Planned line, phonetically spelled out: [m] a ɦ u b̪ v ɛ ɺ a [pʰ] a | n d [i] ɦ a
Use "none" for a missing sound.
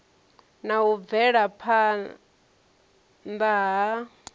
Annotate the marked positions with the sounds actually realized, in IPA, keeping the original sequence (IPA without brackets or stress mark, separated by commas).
n, pʰ, a